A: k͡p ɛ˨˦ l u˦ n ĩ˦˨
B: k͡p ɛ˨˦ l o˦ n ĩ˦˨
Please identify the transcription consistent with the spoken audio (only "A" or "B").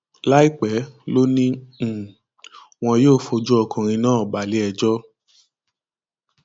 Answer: B